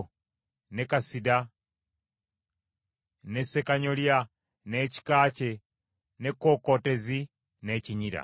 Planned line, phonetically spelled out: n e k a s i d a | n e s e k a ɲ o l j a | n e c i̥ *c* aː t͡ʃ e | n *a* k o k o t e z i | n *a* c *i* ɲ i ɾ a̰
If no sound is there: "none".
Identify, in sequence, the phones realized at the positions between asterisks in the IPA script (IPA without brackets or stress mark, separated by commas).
k, e, e, i